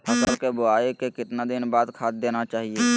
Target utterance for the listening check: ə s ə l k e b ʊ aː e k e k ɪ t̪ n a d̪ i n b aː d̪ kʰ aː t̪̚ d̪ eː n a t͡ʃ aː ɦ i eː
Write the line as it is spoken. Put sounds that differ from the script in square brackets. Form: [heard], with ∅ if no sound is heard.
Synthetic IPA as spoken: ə s ə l k e b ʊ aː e k e k ɪ t̪ n a d̪ [ɪ] n b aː d̪ kʰ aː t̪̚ d̪ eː n a t͡ʃ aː ɦ i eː

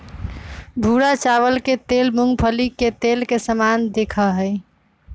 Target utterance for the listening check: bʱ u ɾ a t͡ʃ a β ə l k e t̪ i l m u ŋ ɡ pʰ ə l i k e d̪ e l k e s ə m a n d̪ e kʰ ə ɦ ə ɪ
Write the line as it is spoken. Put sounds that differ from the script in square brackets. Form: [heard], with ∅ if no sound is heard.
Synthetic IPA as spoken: bʱ u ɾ a t͡ʃ a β ə l k e t̪ [e] l m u ŋ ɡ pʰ ə l i k e [t̪] e l k e s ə m a n d̪ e kʰ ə ɦ ə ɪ

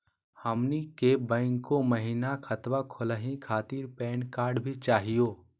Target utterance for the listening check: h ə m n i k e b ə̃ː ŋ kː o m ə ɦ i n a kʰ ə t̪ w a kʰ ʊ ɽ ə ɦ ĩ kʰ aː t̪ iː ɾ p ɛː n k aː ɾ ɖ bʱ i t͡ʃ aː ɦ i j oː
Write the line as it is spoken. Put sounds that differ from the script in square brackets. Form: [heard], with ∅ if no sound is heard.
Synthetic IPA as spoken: h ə m n i k e b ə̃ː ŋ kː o m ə ɦ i n a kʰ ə t̪ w a kʰ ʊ [l] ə ɦ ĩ kʰ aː t̪ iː ɾ p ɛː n k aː ɾ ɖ bʱ i t͡ʃ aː ɦ i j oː

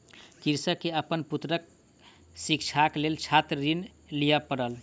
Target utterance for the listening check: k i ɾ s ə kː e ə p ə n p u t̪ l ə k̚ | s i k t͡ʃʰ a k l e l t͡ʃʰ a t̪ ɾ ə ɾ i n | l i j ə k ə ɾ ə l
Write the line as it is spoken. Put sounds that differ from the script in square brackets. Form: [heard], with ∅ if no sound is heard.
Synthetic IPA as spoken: k i ɾ s ə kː e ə p ə n p u t̪ [ɾ] ə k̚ | s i k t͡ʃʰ a k l e l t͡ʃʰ a t̪ ɾ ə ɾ i n | l i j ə [p] ə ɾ ə l

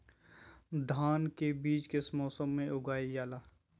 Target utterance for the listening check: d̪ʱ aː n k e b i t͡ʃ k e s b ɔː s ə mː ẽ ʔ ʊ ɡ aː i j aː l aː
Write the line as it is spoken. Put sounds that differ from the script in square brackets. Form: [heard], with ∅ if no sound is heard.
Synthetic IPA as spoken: d̪ʱ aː n k e b [iː] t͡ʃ k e s [m] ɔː s ə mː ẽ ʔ ʊ ɡ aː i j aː l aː

